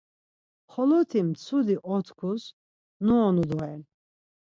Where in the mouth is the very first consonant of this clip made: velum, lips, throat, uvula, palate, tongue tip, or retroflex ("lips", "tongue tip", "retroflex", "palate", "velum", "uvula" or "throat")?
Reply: uvula